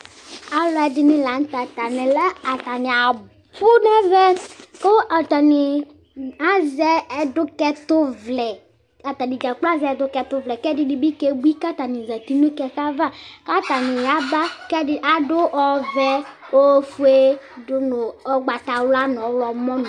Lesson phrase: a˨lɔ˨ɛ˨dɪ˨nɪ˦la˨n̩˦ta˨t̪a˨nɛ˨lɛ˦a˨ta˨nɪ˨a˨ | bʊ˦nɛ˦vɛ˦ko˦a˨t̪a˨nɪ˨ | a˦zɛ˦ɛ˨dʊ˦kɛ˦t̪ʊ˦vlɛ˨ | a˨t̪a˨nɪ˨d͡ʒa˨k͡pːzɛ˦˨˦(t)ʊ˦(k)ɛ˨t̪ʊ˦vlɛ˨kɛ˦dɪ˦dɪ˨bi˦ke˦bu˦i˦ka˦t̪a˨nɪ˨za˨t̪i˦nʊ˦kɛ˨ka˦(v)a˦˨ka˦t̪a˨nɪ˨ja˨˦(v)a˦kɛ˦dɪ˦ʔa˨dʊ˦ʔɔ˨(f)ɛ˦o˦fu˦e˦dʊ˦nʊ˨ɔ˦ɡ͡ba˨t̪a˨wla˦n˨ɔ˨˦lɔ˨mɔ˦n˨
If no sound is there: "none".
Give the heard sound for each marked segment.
d, k, v, b, v

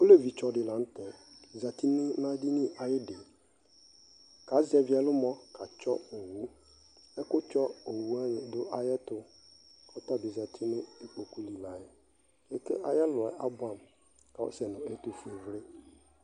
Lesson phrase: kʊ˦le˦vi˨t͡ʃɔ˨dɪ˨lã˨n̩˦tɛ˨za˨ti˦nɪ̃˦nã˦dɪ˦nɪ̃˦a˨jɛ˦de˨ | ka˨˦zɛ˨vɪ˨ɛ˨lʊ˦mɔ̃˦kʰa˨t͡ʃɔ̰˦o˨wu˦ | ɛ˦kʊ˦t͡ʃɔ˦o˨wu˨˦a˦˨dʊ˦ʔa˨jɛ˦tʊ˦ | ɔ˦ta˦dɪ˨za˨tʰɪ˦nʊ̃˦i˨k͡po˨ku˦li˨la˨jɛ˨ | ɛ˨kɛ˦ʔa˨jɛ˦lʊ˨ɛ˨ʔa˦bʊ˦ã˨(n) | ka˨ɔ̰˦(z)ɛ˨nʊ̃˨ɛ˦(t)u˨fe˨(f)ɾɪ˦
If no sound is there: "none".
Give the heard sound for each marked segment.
m, s, t, v

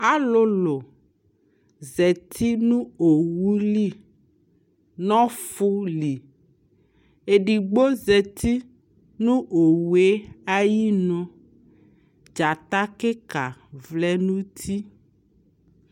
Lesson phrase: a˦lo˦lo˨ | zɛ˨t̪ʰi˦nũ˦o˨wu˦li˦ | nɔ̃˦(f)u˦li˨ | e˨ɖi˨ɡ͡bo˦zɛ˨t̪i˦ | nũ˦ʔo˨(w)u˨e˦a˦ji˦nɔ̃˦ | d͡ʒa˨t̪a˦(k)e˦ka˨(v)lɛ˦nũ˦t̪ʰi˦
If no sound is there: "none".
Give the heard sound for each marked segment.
f, w, k, v

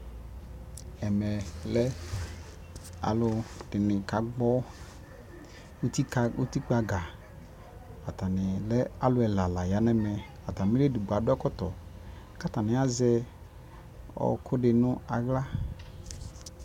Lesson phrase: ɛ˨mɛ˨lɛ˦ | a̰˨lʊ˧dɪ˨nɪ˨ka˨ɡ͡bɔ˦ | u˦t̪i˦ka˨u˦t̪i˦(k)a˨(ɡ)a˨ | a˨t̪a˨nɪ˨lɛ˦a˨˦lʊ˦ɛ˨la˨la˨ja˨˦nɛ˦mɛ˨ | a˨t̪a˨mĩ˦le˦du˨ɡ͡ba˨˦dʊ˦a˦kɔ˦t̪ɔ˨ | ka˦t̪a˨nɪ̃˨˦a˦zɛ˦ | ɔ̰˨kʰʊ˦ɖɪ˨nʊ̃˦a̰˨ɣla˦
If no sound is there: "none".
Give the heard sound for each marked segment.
k͡p, ɡ

